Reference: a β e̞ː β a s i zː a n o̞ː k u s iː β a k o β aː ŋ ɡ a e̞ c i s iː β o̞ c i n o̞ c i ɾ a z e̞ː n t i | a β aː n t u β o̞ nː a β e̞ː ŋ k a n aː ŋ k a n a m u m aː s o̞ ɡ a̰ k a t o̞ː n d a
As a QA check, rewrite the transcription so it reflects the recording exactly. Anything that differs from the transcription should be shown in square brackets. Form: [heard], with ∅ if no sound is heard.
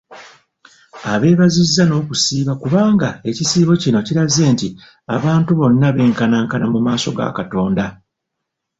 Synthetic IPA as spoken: a β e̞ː β a [z] i zː a n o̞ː k u s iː β a k [u] β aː ŋ ɡ a e̞ c i s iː β o̞ c i n o̞ c i ɾ a z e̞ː n t i | a β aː n t u β o̞ nː a β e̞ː ŋ k a n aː ŋ k a n a m u m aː s o̞ ɡ a̰ k a t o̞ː n d a